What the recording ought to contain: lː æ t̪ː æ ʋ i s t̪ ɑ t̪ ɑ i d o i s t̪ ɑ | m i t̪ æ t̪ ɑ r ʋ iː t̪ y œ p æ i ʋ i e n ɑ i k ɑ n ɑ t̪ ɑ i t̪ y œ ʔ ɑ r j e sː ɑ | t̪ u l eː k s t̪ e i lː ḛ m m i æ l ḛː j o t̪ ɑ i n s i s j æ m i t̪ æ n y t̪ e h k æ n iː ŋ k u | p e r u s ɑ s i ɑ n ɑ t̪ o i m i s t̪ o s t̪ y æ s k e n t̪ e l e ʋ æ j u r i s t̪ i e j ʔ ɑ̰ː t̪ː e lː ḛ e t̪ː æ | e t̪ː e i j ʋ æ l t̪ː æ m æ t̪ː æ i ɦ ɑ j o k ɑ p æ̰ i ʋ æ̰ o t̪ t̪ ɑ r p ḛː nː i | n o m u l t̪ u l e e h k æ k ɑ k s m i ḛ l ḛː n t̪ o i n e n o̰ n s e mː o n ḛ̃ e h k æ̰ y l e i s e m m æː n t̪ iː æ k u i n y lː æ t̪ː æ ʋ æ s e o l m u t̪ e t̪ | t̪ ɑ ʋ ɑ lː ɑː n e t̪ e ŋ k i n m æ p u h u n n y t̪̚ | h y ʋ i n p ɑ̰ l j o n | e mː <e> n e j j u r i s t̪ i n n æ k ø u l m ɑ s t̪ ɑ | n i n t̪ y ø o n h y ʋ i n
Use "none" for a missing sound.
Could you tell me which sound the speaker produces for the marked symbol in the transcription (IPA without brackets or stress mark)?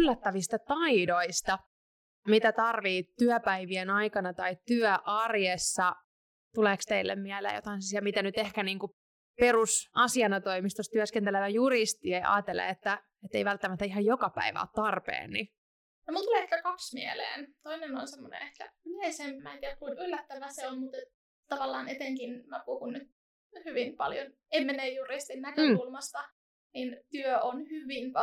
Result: e